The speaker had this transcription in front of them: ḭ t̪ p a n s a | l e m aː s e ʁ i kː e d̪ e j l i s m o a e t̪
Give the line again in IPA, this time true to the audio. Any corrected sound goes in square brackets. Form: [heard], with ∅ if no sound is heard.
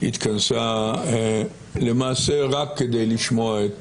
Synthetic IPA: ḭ t̪ [k] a n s a | l e m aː s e ʁ [a] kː e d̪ e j l i [ʃ] m o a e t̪